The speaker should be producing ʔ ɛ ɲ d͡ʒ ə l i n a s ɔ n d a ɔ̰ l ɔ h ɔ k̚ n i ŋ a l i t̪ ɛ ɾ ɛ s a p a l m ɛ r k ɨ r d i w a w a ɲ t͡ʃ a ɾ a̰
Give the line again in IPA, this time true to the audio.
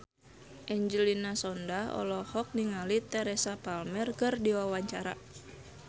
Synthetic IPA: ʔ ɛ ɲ d͡ʒ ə l i n a s ɔ n d a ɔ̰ l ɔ h ɔ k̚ n i ŋ a l i t̪ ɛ ɾ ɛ s a p a l m ɛ r k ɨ r d i w a w a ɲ t͡ʃ a ɾ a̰